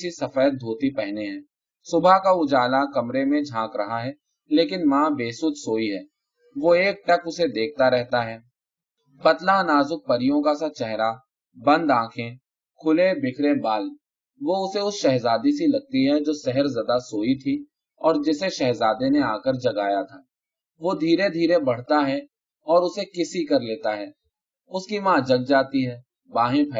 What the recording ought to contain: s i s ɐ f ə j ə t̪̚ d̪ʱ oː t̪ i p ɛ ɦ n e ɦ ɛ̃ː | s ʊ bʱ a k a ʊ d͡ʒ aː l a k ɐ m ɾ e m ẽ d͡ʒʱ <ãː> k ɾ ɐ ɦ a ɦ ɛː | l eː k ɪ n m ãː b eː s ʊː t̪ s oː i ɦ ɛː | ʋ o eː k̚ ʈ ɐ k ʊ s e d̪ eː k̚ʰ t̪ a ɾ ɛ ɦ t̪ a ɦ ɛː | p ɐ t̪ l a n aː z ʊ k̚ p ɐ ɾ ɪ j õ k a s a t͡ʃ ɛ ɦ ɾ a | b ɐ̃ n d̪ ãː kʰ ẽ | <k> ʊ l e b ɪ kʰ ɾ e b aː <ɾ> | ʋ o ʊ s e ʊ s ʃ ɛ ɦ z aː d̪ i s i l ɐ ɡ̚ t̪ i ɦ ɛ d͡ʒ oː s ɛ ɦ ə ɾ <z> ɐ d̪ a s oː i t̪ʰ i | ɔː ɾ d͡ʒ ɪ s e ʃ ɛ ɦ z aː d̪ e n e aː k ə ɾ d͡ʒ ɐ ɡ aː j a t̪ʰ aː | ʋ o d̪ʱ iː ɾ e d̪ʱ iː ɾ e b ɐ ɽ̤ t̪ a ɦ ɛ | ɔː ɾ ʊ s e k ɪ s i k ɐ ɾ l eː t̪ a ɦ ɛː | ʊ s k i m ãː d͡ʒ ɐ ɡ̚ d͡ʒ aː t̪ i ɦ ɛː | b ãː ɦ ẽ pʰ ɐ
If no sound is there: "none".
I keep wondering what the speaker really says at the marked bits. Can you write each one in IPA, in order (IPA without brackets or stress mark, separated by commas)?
ãː, kʰ, l, z